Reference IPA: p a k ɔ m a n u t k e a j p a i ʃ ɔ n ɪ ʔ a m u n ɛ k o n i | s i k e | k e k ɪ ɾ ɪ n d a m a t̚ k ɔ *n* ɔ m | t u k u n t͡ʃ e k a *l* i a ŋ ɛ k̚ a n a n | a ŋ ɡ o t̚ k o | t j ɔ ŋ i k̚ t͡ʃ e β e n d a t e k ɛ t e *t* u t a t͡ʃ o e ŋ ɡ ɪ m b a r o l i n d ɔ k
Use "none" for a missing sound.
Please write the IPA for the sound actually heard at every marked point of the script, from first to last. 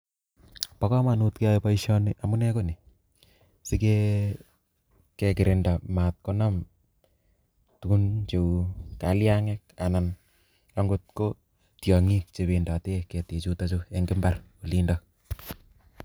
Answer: n, l, t͡ʃ

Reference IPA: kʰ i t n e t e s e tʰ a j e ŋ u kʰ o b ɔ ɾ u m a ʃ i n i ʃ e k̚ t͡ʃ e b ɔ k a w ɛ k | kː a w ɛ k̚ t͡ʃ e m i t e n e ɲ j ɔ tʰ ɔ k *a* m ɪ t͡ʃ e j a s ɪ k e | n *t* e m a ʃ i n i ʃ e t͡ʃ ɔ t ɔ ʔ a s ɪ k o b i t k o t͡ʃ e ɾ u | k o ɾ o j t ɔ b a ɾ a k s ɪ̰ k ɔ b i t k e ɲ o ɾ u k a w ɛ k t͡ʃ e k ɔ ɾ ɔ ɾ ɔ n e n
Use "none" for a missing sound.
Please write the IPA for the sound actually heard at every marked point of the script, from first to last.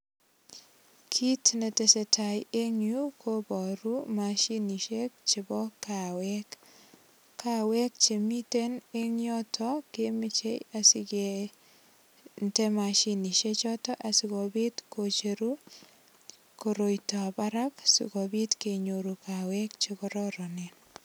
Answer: e, t

